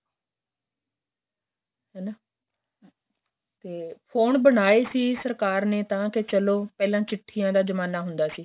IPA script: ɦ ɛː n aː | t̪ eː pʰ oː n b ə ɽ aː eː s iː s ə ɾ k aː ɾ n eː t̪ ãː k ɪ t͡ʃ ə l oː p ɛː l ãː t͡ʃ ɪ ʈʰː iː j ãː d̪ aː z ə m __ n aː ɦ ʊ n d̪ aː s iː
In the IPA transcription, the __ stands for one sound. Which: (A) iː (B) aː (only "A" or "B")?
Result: B